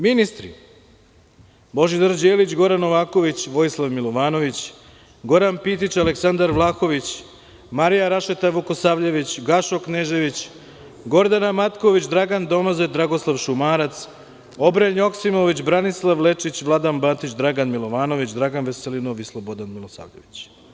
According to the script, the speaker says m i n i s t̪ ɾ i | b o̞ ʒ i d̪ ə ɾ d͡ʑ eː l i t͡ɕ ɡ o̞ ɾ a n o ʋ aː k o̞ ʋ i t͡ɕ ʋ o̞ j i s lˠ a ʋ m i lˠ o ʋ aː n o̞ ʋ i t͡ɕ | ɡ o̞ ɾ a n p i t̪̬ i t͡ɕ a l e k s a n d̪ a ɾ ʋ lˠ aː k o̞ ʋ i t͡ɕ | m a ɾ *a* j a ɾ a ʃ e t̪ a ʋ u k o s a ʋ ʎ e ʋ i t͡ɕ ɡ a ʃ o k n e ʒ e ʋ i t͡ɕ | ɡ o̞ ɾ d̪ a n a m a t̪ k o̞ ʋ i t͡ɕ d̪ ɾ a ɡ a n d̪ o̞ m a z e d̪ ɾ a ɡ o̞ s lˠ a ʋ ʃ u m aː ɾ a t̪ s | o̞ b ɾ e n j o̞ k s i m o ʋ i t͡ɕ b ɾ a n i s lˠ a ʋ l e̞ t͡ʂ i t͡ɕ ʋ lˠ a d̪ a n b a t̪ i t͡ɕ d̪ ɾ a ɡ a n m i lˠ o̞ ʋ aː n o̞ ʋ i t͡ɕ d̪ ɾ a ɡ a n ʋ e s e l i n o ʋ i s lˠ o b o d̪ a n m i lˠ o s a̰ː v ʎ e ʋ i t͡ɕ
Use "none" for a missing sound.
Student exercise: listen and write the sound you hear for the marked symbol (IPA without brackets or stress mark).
i